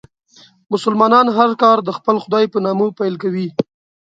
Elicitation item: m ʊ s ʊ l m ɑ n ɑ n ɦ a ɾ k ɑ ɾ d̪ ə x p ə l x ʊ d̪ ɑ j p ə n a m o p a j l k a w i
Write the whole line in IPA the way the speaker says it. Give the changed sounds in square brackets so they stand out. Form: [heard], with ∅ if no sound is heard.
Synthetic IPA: m ʊ s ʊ l m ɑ n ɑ n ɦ a ɾ k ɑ ɾ d̪ ə x p ə l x ʊ d̪ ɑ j p ə n [ɑ] m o p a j l k a w i